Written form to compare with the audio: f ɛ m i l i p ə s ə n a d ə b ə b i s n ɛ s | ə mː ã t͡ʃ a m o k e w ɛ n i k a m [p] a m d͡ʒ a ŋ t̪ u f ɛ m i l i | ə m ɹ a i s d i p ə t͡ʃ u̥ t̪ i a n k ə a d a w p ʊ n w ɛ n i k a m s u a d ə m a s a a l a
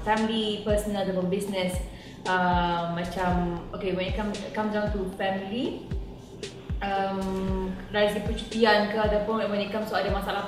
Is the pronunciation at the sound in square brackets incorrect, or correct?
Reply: incorrect